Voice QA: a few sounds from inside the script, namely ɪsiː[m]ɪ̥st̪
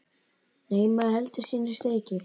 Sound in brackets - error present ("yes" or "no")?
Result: yes